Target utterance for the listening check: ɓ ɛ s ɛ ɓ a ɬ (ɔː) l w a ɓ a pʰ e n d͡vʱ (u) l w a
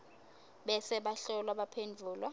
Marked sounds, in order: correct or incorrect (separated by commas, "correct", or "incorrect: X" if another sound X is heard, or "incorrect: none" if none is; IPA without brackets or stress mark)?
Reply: incorrect: ɔ, incorrect: uː